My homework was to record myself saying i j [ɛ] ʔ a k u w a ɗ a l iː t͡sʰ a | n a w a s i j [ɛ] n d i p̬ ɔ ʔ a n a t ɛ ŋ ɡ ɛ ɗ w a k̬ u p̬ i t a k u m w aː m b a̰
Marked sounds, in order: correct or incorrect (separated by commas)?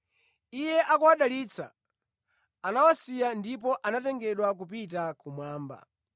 correct, incorrect